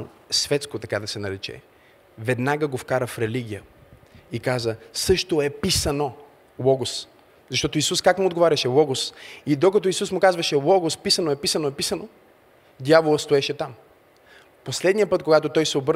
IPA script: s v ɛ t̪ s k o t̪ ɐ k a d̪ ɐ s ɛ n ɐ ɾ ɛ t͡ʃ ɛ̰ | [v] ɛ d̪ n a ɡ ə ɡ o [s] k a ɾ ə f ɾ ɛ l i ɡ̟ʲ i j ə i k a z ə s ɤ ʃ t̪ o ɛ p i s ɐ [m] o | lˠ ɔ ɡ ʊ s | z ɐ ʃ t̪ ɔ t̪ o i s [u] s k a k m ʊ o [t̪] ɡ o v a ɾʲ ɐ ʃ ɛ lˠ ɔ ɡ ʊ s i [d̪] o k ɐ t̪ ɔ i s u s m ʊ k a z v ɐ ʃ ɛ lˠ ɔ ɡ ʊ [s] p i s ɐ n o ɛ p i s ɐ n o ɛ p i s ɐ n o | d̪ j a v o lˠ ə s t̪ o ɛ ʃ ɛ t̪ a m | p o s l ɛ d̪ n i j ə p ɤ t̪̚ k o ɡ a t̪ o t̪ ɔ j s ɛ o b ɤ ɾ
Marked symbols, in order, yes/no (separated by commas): yes, no, no, yes, no, yes, yes